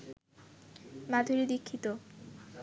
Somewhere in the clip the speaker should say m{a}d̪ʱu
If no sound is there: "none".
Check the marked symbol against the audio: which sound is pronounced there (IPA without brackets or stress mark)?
a